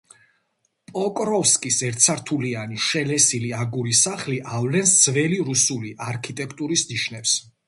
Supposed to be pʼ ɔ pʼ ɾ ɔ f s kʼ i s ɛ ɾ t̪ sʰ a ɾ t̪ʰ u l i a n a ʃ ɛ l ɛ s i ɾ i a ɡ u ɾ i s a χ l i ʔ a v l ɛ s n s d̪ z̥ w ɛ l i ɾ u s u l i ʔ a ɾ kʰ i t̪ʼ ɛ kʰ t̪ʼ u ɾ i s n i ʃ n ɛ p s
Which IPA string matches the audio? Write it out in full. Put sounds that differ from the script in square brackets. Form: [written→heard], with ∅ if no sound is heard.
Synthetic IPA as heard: pʼ ɔ [pʼ→kʼ] ɾ ɔ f s kʼ i s ɛ ɾ t̪ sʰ a ɾ t̪ʰ u l i a n [a→i] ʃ ɛ l ɛ s i [ɾ→l] i a ɡ u ɾ i s a χ l i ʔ a v l ɛ [s→∅] n s d̪ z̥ [w→v] ɛ l i ɾ u s u l i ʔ a ɾ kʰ i t̪ʼ ɛ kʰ t̪ʼ u ɾ i s n i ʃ n ɛ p s